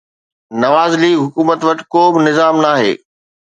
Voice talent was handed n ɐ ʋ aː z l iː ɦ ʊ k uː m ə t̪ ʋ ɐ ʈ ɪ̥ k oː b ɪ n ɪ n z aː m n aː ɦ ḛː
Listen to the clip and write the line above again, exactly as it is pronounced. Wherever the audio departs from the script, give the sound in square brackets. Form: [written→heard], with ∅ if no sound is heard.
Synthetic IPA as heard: n ɐ ʋ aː z l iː ɦ ʊ k uː m ə t̪ ʋ ɐ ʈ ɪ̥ k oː b ɪ n ɪ [n→∅] z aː m n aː ɦ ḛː